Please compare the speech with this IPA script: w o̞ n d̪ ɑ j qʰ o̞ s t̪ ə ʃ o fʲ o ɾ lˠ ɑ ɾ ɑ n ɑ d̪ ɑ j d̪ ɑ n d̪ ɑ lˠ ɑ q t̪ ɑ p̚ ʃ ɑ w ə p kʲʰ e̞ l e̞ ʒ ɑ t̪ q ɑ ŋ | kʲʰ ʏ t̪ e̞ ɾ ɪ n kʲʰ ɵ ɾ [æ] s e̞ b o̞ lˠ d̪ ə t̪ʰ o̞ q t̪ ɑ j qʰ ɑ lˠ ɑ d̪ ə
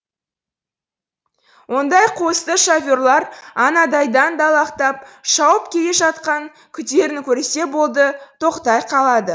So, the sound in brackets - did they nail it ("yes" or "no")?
no